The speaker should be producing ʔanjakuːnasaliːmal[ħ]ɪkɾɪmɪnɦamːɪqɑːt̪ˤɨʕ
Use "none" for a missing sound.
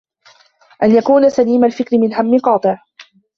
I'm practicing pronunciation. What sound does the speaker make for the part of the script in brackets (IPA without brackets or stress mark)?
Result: f